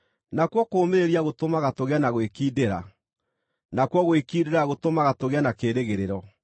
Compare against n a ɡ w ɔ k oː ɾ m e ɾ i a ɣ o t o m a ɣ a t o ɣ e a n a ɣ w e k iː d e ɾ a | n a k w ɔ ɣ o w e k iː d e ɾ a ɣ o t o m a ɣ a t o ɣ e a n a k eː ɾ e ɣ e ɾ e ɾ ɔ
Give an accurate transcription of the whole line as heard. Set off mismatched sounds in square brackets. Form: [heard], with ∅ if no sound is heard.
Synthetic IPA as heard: n a [k] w ɔ k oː [∅] m e ɾ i a ɣ o t o m a ɣ a t o ɣ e a n a ɣ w e k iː d e ɾ a | n a k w ɔ ɣ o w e k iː d e ɾ a ɣ o t o m a ɣ a t o ɣ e a n a k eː ɾ e ɣ e ɾ e ɾ ɔ